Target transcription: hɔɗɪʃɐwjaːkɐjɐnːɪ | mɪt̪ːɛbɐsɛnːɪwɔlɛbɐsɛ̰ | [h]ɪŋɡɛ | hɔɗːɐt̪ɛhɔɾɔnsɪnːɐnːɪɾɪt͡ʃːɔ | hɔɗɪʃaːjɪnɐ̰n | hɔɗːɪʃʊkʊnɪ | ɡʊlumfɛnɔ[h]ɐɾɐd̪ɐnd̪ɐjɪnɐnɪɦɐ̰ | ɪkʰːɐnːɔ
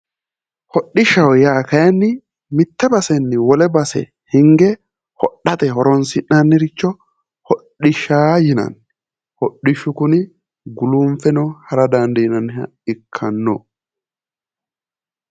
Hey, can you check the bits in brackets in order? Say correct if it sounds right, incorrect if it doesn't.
correct, correct

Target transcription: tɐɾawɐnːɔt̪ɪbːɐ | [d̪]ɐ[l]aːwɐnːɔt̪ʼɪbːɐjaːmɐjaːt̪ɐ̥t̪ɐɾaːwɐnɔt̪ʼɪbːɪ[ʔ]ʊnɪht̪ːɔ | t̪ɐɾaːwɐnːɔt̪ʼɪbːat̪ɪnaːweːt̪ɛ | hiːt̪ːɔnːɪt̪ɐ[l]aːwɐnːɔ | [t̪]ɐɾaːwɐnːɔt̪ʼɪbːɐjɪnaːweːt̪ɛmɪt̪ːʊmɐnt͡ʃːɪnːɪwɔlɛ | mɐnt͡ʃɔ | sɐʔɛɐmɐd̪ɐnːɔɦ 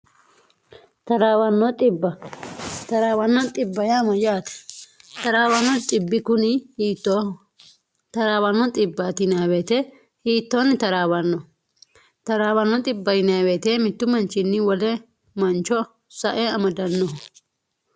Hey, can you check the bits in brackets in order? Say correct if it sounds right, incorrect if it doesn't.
incorrect: t̪, incorrect: ɾ, incorrect: k, incorrect: ɾ, correct

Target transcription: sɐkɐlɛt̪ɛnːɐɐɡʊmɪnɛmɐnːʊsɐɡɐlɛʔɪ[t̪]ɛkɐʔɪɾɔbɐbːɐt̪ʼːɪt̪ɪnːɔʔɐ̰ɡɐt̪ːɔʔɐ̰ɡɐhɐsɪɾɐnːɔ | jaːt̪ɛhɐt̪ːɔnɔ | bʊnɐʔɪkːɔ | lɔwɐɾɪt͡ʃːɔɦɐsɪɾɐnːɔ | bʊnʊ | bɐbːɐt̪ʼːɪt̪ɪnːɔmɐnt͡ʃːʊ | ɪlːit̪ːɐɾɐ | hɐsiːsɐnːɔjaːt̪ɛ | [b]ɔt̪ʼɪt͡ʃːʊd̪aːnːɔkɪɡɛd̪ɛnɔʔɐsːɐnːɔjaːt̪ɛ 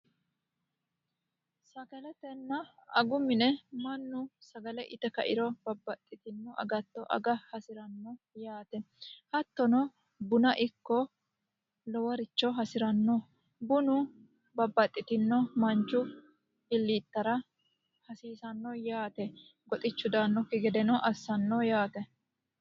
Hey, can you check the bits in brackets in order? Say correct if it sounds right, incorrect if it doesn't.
correct, incorrect: ɡ

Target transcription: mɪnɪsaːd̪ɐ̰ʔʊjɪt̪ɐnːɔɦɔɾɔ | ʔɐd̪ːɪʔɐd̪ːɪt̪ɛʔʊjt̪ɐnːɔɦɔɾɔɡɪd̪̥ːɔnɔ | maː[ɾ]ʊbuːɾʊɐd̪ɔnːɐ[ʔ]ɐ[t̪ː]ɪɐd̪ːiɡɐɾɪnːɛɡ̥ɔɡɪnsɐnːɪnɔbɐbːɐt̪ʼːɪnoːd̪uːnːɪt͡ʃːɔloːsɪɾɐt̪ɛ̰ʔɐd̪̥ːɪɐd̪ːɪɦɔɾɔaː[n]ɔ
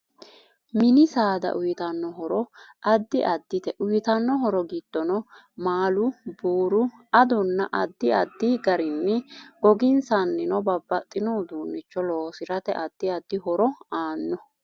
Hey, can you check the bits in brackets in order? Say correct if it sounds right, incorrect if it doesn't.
incorrect: l, correct, incorrect: d̪ː, incorrect: nː

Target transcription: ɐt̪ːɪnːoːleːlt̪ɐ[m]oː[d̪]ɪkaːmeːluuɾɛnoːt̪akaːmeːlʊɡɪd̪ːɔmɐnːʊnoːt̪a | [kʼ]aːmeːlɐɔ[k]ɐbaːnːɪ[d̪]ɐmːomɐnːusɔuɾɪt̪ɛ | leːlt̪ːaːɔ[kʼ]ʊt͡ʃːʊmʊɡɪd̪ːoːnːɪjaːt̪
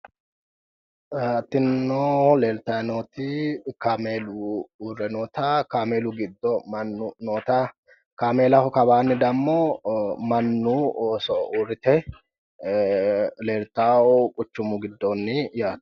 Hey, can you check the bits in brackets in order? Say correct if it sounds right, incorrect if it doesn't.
incorrect: n, incorrect: t̪, incorrect: k, correct, correct, correct

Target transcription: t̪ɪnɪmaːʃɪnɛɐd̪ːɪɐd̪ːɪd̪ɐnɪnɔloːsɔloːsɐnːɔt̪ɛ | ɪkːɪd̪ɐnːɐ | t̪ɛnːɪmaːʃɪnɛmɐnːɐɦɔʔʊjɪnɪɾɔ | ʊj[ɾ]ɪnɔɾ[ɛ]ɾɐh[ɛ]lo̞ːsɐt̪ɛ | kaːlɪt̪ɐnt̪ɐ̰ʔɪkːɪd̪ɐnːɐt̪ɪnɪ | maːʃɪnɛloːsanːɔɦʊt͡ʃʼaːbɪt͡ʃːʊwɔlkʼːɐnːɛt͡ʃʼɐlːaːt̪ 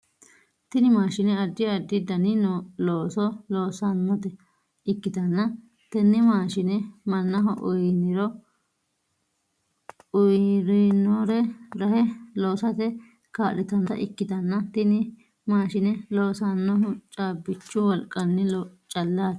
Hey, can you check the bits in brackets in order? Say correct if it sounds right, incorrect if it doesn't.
correct, correct, correct

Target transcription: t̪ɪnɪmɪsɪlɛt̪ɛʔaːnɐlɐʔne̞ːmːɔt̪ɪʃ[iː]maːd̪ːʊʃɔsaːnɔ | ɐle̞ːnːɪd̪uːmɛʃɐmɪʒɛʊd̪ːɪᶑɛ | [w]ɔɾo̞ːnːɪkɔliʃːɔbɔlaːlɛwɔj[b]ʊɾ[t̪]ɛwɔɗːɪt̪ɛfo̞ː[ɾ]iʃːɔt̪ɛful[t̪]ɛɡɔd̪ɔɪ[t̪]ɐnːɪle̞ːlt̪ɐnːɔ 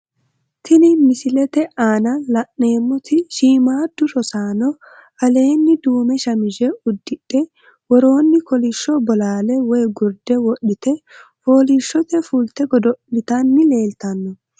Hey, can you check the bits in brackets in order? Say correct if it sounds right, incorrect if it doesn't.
correct, correct, incorrect: ɡ, incorrect: d̪, incorrect: l, correct, correct

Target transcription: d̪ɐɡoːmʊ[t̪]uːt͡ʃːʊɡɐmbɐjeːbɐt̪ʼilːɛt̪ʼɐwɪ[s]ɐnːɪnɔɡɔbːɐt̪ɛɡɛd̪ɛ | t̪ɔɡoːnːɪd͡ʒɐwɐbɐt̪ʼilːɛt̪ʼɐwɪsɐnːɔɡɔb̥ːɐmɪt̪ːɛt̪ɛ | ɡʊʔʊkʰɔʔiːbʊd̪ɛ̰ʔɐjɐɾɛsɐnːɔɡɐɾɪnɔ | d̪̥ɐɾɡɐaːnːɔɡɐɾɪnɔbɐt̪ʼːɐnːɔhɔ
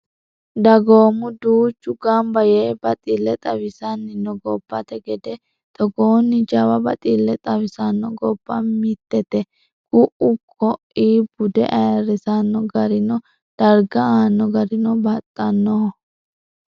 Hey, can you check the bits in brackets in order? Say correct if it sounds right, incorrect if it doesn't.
incorrect: d̪, correct

